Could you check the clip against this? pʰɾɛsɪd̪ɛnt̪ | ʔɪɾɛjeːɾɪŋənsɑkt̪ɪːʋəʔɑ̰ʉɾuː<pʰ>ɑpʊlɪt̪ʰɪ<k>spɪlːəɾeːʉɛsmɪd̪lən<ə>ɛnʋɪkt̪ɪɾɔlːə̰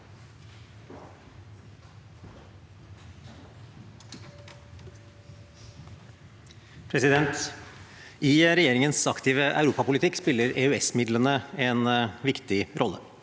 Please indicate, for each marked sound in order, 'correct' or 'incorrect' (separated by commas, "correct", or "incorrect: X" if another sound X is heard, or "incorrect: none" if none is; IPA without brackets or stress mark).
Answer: incorrect: p, correct, correct